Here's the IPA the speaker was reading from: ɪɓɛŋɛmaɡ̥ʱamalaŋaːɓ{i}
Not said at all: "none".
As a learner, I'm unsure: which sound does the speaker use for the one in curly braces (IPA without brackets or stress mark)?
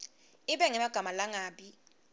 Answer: i